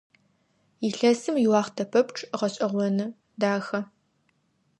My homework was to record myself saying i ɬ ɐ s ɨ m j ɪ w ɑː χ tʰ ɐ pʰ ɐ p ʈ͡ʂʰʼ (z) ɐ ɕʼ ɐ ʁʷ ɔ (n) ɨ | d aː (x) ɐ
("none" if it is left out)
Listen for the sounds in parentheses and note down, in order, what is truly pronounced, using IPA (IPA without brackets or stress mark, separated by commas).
ʁ, n, x